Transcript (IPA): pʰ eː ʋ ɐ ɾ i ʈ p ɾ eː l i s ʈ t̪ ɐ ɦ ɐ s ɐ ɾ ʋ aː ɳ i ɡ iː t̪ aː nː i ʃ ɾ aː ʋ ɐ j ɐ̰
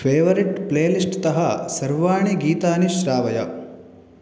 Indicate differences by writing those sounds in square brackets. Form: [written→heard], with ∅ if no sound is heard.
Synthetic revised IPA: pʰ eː ʋ ɐ ɾ i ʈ p [ɾ→l] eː l i s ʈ t̪ ɐ ɦ ɐ s ɐ ɾ ʋ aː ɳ i ɡ iː t̪ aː [nː→n] i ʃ ɾ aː ʋ ɐ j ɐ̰

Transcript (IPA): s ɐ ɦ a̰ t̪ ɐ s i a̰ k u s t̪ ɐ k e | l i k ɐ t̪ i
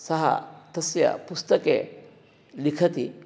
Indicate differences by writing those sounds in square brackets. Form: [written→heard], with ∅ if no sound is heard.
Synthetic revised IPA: s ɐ ɦ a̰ t̪ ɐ s [i→j] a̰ [k→p] u s t̪ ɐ k e | l i [k→kʰ] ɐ t̪ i

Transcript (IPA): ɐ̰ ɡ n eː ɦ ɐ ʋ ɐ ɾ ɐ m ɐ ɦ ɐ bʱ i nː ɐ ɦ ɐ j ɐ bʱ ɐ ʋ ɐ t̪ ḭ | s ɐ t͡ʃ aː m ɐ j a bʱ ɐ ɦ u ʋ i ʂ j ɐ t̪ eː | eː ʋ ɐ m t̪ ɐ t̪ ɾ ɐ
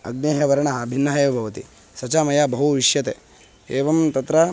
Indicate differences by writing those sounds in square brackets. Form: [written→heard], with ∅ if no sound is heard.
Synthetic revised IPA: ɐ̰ ɡ n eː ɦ ɐ ʋ ɐ ɾ ɐ [m→ɳ] ɐ ɦ ɐ bʱ i nː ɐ ɦ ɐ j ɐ bʱ ɐ ʋ ɐ t̪ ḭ | s ɐ t͡ʃ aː m ɐ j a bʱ ɐ ɦ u ʋ i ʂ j ɐ t̪ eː | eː ʋ ɐ m t̪ ɐ t̪ ɾ ɐ

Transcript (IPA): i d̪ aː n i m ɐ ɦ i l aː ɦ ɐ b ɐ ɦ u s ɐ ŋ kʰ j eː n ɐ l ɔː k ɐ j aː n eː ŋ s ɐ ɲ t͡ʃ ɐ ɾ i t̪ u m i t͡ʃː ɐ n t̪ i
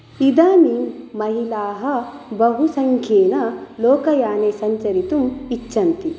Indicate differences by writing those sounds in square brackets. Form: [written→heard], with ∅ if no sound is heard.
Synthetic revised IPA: i d̪ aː n i m ɐ ɦ i l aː ɦ ɐ b ɐ ɦ u s ɐ ŋ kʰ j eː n ɐ l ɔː k ɐ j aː n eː [ŋ→∅] s ɐ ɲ t͡ʃ ɐ ɾ i t̪ u m i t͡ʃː ɐ n t̪ i

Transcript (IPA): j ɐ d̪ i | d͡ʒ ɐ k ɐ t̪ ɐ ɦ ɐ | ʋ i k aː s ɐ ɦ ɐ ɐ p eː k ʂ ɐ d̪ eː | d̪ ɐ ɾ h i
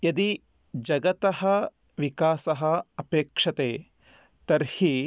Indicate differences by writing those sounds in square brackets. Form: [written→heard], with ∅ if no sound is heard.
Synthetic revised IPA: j ɐ d̪ i | d͡ʒ ɐ [k→ɡ] ɐ t̪ ɐ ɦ ɐ | ʋ i k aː s ɐ ɦ ɐ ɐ p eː k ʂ ɐ [d̪→t̪] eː | [d̪→t̪] ɐ ɾ h i

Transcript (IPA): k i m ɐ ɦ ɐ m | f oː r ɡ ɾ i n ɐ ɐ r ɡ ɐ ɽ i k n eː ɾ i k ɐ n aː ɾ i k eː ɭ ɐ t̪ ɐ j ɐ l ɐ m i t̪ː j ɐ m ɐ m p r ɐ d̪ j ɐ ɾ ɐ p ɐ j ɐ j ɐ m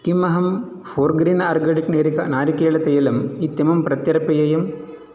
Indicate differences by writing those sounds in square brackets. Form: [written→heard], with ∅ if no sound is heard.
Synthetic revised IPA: k i m ɐ ɦ ɐ m | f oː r ɡ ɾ i n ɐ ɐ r ɡ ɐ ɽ i k n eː ɾ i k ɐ n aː ɾ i k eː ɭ ɐ t̪ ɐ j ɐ l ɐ m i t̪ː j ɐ m ɐ m p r ɐ [d̪→t̪] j ɐ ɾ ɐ p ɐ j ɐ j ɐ m

